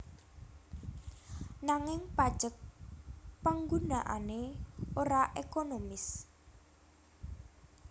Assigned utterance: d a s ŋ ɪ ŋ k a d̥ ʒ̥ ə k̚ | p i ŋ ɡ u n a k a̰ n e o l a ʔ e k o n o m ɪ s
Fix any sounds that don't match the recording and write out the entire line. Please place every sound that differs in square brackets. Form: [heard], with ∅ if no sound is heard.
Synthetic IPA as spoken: [n] a [∅] ŋ ɪ ŋ [p] a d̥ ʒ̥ ə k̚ | p [a] ŋ ɡ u n a [ʔ] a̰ n e o [ɾ] a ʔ e k o n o m ɪ s